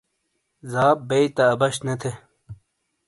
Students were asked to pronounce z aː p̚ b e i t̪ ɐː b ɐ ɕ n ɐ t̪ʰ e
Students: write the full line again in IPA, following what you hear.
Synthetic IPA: z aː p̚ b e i t̪ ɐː b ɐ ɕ n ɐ t̪ʰ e